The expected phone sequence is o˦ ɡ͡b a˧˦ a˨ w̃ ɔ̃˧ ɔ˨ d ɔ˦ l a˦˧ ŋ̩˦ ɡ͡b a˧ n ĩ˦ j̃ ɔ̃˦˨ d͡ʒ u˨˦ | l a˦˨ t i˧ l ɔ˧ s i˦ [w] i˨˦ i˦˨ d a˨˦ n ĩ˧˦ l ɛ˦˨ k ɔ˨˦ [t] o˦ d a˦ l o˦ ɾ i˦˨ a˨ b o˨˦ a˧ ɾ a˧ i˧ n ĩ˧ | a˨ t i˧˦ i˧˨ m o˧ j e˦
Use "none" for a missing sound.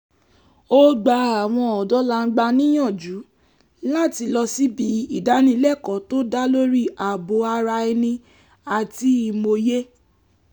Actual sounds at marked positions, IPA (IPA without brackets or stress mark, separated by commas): b, t